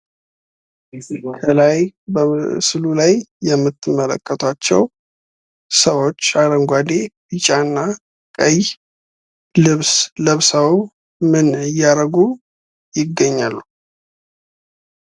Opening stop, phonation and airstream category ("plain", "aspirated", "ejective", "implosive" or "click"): aspirated